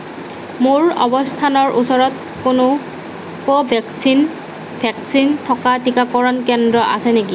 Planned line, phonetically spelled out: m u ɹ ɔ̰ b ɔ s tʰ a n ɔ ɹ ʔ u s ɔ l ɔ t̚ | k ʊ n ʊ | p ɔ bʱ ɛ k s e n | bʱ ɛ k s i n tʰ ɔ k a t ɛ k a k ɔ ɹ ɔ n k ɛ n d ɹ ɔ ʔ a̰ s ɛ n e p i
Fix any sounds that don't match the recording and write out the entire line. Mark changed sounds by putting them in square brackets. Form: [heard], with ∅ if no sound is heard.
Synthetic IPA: m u ɹ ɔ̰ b ɔ s tʰ a n ɔ ɹ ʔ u s ɔ [ɹ] ɔ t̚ | k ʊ n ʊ | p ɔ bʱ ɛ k s [i] n | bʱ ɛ k s i n tʰ ɔ k a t [i] k a k ɔ ɹ ɔ n k ɛ n d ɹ ɔ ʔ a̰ s ɛ n e [k] i